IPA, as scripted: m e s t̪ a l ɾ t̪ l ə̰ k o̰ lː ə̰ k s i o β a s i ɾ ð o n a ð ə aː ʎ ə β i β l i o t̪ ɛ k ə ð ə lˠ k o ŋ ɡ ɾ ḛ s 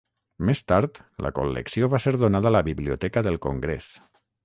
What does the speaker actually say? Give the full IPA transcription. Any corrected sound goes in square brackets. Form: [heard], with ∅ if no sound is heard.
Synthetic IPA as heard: m e s t̪ a [∅] ɾ t̪ l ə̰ k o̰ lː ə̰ k s i o β a s [e] ɾ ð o n a ð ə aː [l] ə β i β l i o t̪ ɛ k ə ð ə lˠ k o ŋ ɡ ɾ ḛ s